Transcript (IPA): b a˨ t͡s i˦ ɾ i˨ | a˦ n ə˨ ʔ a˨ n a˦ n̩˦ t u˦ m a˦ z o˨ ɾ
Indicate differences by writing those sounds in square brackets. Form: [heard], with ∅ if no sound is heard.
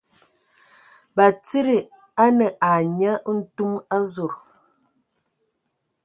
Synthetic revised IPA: b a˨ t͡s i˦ ɾ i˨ | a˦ n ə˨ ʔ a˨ [ɲ] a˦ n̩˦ t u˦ m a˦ z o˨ ɾ